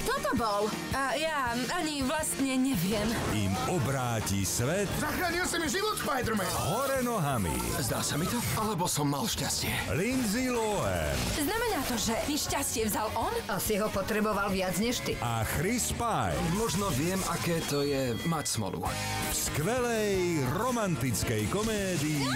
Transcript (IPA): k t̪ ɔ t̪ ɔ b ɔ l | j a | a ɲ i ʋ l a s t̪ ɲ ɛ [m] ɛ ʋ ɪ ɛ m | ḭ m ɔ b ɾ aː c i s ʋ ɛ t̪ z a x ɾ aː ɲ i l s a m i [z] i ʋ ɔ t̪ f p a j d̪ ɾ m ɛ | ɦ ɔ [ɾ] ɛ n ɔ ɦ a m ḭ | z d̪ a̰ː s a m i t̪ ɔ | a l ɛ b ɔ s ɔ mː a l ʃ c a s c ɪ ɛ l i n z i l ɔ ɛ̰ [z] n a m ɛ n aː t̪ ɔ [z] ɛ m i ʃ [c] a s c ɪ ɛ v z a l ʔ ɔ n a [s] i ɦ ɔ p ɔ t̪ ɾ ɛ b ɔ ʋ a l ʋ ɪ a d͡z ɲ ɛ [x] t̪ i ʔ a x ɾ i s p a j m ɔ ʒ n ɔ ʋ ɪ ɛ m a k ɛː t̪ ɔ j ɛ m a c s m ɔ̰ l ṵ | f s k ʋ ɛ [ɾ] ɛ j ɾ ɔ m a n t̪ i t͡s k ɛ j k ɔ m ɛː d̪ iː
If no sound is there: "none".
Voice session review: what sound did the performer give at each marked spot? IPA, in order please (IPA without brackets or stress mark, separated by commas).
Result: ɲ, ʒ, ɾ, z, ʒ, c, s, ʃ, l